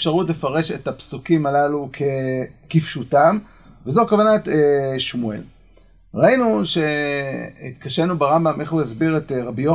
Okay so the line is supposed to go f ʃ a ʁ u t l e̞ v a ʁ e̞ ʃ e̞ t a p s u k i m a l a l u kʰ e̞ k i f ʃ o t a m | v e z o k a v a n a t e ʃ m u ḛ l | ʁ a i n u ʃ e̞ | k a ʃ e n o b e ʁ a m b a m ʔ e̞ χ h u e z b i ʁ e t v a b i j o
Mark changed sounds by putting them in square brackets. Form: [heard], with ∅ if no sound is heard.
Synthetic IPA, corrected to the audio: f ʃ a ʁ u t l e̞ [f] a ʁ e̞ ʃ e̞ t a p s u k i m a l a l u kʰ e̞ k i f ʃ [u] t a m | v e z o k a v a n a t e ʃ m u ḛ l | ʁ a i n u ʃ e̞ | k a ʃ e n [u] b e ʁ a m b a m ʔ e̞ χ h u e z b i ʁ e t [ʁ] a b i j o